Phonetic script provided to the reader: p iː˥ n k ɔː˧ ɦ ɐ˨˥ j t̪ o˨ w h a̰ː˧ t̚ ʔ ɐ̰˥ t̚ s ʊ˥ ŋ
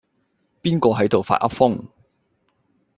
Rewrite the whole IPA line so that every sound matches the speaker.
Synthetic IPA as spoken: p iː˥ n k ɔː˧ ɦ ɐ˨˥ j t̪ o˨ w f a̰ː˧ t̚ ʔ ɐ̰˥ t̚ f ʊ˥ ŋ

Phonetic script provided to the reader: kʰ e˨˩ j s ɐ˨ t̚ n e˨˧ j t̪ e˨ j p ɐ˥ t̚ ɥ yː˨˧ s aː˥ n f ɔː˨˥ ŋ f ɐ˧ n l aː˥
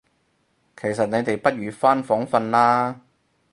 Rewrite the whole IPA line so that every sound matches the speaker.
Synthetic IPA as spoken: kʰ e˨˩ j s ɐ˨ t̚ n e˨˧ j t̪ e˨ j p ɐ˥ t̚ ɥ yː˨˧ f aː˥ n f ɔː˨˥ ŋ f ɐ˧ n l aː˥

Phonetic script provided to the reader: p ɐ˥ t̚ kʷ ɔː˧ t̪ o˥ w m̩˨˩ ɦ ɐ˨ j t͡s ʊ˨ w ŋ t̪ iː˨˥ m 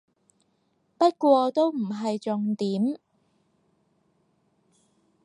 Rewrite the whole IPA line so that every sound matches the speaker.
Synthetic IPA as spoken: p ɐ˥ t̚ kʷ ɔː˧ t̪ o˥ w m̩˨˩ ɦ ɐ˨ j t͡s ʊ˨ ŋ t̪ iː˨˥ m

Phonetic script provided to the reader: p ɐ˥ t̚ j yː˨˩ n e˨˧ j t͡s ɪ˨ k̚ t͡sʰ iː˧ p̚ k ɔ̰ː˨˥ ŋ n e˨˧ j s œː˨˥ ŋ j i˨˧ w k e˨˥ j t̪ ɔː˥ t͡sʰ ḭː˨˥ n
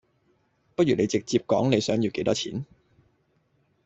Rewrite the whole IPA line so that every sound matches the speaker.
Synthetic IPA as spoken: p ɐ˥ t̚ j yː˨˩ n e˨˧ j t͡s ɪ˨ k̚ t͡s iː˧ p̚ k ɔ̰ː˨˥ ŋ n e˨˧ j s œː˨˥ ŋ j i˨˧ w k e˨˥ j t̪ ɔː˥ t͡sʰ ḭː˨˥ n

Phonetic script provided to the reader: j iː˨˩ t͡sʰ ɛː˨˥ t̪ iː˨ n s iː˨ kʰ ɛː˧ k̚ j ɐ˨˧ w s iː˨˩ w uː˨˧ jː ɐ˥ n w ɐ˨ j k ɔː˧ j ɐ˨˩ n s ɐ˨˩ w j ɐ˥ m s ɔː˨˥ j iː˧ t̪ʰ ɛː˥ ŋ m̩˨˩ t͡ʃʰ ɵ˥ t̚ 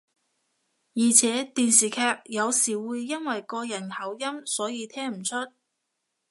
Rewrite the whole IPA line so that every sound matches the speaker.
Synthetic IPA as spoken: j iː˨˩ t͡sʰ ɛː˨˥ t̪ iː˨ n s iː˨ kʰ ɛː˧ k̚ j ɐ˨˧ w s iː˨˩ w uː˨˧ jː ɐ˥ n w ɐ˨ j k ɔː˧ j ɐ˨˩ n h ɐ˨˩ w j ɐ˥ m s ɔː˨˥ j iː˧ t̪ʰ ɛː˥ ŋ m̩˨˩ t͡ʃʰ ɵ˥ t̚

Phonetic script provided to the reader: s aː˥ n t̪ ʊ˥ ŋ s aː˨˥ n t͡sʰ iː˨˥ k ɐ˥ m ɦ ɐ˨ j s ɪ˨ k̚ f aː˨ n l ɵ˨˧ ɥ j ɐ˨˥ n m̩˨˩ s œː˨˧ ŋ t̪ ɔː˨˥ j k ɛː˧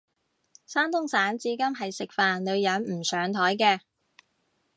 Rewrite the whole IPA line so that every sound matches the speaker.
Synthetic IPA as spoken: s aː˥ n t̪ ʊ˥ ŋ s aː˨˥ n t͡s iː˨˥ k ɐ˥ m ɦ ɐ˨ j s ɪ˨ k̚ f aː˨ n l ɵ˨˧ ɥ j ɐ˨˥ n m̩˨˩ s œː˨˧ ŋ t̪ʰ ɔː˨˥ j k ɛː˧

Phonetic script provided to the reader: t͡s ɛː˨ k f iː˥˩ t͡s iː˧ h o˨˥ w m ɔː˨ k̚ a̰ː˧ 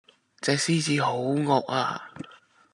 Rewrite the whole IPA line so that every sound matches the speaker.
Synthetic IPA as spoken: t͡s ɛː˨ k s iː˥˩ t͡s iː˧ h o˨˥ w ŋ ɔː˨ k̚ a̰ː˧

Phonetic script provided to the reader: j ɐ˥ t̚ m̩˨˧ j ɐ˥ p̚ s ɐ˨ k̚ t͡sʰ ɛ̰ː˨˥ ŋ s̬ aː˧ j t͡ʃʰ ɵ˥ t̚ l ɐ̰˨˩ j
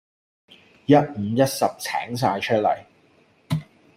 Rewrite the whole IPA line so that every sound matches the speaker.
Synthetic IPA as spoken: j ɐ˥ t̚ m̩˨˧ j ɐ˥ t̚ s ɐ˨ p̚ t͡sʰ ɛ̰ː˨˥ ŋ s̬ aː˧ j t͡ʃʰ ɵ˥ t̚ l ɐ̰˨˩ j

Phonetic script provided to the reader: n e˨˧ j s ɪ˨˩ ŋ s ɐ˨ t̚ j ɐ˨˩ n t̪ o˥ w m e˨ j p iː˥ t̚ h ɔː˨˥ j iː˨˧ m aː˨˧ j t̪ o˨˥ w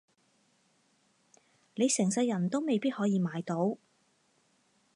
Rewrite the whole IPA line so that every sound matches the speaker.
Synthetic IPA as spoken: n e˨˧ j s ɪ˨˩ ŋ s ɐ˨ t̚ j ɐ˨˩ n t̪ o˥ w m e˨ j p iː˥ t̚ h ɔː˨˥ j iː˨˧ m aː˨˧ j t̪ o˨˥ w

